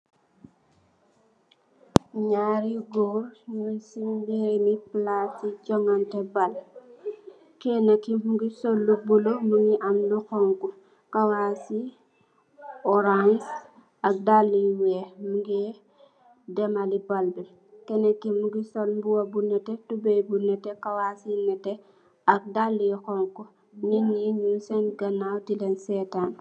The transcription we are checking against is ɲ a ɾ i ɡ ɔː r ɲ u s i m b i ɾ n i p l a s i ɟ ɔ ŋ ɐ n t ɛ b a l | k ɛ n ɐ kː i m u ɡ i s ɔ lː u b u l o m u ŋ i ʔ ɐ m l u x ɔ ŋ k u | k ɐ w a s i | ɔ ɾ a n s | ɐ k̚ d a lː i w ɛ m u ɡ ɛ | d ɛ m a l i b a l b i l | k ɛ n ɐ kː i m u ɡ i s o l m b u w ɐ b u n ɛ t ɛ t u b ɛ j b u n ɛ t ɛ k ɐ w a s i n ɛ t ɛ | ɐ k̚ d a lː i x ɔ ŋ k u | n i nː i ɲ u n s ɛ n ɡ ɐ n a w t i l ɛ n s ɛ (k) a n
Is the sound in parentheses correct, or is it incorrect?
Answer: incorrect